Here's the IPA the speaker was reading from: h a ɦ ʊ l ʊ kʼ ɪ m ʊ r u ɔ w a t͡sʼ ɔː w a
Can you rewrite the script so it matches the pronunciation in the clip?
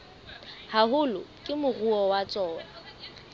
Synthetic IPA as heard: h a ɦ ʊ l ʊ kʼ ɪ m ʊ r u ɔ w a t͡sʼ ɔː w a